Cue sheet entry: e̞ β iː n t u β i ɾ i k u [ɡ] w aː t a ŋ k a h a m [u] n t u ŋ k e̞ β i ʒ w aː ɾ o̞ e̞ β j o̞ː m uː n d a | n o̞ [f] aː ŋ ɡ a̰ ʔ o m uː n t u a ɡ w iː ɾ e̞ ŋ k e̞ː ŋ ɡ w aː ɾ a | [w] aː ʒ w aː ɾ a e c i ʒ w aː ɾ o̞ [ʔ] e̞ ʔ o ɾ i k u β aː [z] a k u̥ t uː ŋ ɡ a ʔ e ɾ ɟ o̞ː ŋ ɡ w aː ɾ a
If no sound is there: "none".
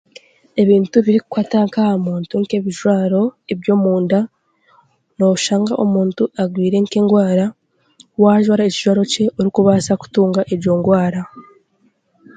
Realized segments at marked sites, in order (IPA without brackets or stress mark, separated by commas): k, uː, ʃ, w, c, s